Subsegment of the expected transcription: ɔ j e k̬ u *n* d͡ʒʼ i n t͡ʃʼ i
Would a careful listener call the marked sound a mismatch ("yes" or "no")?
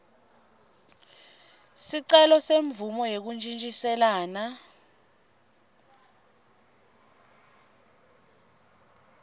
no